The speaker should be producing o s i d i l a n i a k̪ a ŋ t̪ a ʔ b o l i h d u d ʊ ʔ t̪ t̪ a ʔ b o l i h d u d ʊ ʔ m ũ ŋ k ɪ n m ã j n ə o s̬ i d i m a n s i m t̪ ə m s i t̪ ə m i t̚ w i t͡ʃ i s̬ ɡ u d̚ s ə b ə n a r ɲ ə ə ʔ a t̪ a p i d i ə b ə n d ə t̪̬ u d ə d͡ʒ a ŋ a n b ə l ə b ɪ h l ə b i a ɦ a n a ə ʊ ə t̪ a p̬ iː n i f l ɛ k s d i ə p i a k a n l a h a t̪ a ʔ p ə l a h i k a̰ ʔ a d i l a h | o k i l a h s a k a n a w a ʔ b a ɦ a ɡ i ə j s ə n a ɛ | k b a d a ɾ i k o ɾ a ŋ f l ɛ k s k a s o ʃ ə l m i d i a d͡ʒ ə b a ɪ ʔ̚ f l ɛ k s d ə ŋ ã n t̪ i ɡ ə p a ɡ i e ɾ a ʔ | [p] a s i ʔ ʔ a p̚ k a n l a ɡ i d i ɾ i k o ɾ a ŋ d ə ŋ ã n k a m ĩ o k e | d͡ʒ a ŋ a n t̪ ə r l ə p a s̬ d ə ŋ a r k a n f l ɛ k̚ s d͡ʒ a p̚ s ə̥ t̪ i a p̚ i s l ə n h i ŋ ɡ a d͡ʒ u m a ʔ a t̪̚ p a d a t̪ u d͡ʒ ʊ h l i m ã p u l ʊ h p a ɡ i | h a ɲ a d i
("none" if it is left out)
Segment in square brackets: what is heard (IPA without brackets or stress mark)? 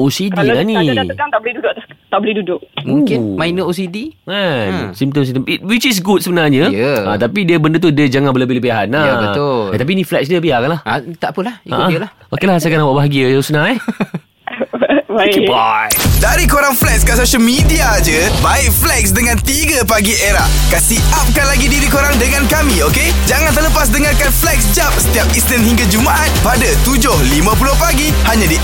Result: k